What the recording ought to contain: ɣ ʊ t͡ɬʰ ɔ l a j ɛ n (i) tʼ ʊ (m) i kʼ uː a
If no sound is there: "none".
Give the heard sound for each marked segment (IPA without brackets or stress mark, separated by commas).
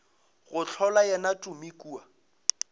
a, m